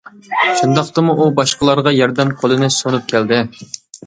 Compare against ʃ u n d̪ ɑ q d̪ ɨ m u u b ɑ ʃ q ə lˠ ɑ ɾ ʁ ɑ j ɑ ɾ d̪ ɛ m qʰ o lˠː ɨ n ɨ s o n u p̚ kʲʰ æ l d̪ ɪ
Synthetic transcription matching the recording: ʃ u n d̪ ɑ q t̪ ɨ m u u b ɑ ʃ q ə lˠ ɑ ɾ ʁ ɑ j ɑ ɾ d̪ ɛ m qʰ o lˠ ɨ n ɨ s o n u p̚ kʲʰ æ l d̪ ɪ